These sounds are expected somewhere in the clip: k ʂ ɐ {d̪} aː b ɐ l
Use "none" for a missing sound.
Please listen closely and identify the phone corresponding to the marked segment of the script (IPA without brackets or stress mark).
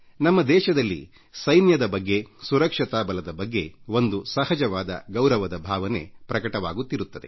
t̪